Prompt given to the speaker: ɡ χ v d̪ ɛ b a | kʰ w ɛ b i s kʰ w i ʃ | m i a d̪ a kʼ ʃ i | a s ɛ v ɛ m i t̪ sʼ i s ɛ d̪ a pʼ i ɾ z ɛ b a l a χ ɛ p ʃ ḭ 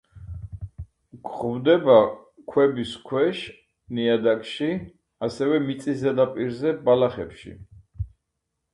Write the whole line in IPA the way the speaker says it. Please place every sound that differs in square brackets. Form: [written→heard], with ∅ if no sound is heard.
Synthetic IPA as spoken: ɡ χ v d̪ ɛ b a | kʰ w ɛ b i s kʰ w [i→ɛ] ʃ | [m→n] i a d̪ a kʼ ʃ i | a s ɛ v ɛ m i t̪ sʼ i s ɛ d̪ a pʼ i ɾ z ɛ b a l a χ ɛ p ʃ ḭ